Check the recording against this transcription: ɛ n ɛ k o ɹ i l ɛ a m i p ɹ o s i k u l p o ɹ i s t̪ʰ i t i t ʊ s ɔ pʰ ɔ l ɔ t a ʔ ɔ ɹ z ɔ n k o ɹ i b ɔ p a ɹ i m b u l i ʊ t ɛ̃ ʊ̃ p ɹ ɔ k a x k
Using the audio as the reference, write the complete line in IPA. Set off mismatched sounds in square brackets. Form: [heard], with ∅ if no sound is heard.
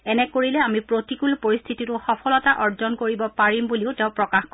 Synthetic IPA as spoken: ɛ n ɛ k o ɹ i l ɛ a m i p ɹ o [t] i k u l p o ɹ i s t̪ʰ i t i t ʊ [x] ɔ pʰ ɔ l ɔ t a ʔ ɔ ɹ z ɔ n k o ɹ i b ɔ p a ɹ i m b u l i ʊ t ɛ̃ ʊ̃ p ɹ ɔ k a x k